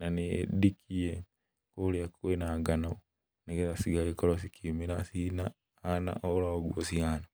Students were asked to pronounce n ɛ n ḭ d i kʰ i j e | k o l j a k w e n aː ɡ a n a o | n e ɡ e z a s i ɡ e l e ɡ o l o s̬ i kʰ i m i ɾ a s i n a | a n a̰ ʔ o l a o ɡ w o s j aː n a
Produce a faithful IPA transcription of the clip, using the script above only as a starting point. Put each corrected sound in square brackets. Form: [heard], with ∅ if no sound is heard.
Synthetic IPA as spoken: n [a] n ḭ d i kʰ i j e | k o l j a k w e n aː ɡ a n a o | n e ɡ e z a s i ɡ [a] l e [k] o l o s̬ i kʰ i m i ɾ a s i n a | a n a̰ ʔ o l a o ɡ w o s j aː n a